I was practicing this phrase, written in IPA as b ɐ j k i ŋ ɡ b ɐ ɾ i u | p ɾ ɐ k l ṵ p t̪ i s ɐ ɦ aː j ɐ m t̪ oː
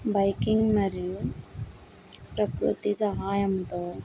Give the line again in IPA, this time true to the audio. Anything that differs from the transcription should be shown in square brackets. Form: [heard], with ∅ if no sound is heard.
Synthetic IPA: b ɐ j k i ŋ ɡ [m] ɐ ɾ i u | p ɾ ɐ k [ɾ] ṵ [∅] t̪ i s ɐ ɦ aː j ɐ m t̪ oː